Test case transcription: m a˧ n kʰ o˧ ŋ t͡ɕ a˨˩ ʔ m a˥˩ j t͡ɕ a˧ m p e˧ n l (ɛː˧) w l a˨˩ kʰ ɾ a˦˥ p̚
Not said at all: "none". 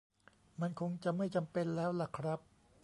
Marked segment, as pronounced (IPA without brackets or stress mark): ɛː˦˥